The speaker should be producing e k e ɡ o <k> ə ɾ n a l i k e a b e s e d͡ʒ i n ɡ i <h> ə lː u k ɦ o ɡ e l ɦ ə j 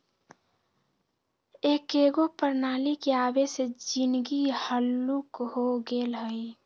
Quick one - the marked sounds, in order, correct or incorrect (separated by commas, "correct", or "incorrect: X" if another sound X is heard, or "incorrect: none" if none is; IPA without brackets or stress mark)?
incorrect: p, correct